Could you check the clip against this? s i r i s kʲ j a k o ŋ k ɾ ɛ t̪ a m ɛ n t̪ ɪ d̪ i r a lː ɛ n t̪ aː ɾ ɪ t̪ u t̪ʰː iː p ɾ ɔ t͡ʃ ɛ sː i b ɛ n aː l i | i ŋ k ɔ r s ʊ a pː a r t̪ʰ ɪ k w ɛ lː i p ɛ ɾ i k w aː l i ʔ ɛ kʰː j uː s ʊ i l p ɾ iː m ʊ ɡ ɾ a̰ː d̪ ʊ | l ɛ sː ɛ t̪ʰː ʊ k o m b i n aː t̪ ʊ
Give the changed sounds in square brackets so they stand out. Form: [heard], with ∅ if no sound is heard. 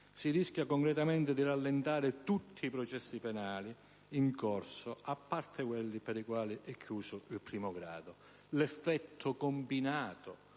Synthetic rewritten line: s i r i s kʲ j a k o ŋ k ɾ ɛ t̪ a m ɛ n t̪ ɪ d̪ i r a lː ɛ n t̪ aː ɾ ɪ t̪ u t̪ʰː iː p ɾ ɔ t͡ʃ ɛ sː i [p] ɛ n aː l i | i ŋ k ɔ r s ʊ a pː a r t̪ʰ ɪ k w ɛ lː i p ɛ ɾ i k w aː l i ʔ ɛ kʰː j uː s ʊ i l p ɾ iː m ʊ ɡ ɾ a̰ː d̪ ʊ | l ɛ [fː] ɛ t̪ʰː ʊ k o m b i n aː t̪ ʊ

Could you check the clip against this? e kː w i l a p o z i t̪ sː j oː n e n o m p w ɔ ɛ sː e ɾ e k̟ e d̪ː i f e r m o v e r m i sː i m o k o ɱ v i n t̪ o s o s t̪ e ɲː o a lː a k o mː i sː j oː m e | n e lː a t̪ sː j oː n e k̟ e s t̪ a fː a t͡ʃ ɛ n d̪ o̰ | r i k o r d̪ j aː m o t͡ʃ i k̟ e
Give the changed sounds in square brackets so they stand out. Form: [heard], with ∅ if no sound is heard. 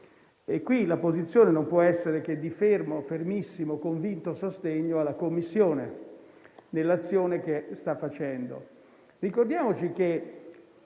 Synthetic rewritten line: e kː w i l a p o z i t̪ sː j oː n e n o m p w ɔ ɛ sː e ɾ e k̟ e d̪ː i f e r m o [f] e r m i sː i m o k o ɱ v i n t̪ o s o s t̪ e ɲː o a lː a k o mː i sː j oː [n] e | n e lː a t̪ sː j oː n e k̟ e s t̪ a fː a t͡ʃ ɛ n d̪ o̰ | r i k o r d̪ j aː m o t͡ʃ i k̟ e

